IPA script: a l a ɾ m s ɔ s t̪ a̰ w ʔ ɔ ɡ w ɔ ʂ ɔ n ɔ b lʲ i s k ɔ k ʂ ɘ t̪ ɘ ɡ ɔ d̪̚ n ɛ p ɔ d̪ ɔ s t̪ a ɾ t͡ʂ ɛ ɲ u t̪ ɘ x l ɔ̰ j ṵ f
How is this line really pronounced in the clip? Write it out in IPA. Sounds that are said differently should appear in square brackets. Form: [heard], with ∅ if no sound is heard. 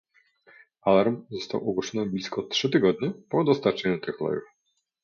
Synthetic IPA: a l a ɾ m [z] ɔ s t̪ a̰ w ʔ ɔ ɡ w ɔ ʂ ɔ n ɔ b lʲ i s k ɔ [t] ʂ ɘ t̪ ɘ ɡ ɔ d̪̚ [ɲ] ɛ p ɔ d̪ ɔ s t̪ a ɾ t͡ʂ ɛ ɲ u t̪ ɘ x l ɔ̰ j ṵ f

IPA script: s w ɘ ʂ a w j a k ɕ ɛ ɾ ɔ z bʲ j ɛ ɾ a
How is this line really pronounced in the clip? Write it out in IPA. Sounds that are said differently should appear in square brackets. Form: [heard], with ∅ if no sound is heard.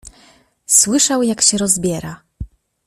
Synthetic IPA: s w ɘ ʂ a w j a k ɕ ɛ ɾ ɔ z bʲ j ɛ ɾ a

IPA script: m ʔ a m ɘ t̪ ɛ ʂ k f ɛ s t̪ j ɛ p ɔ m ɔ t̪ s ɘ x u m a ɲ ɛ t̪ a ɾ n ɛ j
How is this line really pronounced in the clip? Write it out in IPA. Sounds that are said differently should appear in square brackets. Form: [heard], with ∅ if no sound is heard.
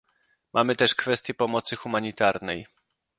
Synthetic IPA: m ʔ a m ɘ t̪ ɛ ʂ k f ɛ s t̪ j ɛ p ɔ m ɔ t̪ s ɘ x u m a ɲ [i] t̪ a ɾ n ɛ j

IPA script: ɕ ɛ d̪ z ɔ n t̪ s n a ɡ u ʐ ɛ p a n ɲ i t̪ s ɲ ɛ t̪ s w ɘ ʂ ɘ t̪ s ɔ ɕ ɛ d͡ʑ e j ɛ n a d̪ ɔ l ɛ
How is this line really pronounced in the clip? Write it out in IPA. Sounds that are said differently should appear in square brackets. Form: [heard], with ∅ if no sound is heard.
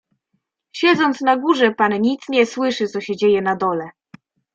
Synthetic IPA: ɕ ɛ d̪ z ɔ n t̪ s n a ɡ u ʐ ɛ p a n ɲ i t̪ s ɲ ɛ [∅] s w ɘ ʂ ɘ t̪ s ɔ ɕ ɛ d͡ʑ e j ɛ n a d̪ ɔ l ɛ

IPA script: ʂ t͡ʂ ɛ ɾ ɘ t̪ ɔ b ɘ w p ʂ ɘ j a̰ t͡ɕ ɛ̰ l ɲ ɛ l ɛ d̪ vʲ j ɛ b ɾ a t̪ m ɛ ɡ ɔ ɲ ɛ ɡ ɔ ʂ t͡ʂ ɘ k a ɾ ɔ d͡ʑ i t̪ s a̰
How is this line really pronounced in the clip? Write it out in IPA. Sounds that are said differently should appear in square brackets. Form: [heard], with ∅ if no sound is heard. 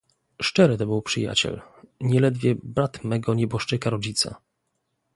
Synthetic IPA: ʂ t͡ʂ ɛ ɾ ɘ t̪ ɔ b ɘ w p ʂ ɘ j a̰ t͡ɕ ɛ̰ l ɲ ɛ l ɛ d̪ vʲ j ɛ b ɾ a t̪ m ɛ ɡ ɔ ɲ ɛ [b] ɔ ʂ t͡ʂ ɘ k a ɾ ɔ d͡ʑ i t̪ s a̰

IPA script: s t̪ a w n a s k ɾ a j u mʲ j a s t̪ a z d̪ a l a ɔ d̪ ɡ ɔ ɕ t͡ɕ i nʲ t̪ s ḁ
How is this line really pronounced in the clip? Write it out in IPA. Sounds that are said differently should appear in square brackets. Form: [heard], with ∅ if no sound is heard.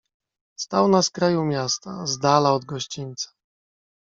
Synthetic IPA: s t̪ a w n a s k ɾ a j u mʲ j a s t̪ a z d̪ a l a ɔ d̪ ɡ ɔ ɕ t͡ɕ i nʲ t̪ s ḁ

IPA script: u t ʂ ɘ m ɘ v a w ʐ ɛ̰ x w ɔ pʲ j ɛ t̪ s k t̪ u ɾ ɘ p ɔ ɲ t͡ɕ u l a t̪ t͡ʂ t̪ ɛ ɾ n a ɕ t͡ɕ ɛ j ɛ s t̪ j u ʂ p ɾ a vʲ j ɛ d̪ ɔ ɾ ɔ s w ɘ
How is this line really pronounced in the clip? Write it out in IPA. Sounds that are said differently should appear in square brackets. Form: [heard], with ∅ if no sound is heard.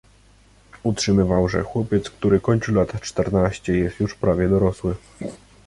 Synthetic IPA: u t ʂ ɘ m ɘ v a w ʐ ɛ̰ x w ɔ pʲ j ɛ t̪ s k t̪ u ɾ ɘ [k] ɔ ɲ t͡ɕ u l a t̪ t͡ʂ t̪ ɛ ɾ n a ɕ t͡ɕ ɛ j ɛ s t̪ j u ʂ p ɾ a vʲ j ɛ d̪ ɔ ɾ ɔ s w ɘ

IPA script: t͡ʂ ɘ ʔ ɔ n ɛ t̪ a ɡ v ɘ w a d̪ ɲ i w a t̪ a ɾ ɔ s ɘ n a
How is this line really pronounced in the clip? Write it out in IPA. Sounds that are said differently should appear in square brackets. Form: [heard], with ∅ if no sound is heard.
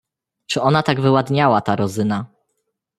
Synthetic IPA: t͡ʂ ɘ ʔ ɔ n [a] t̪ a ɡ v ɘ w a d̪ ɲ [a] w a t̪ a ɾ ɔ [z] ɘ n a

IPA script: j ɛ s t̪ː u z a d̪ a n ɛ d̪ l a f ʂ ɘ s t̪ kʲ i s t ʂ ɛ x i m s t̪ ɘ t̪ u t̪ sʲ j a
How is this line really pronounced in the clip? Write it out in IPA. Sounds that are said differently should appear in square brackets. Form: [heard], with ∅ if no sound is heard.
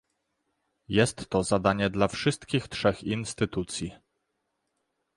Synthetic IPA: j ɛ s t̪ː [ɔ] z a d̪ a [ɲ] ɛ d̪ l a f ʂ ɘ s t̪ kʲ i [x] t ʂ ɛ x i [n] s t̪ ɘ t̪ u t̪ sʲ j [i]

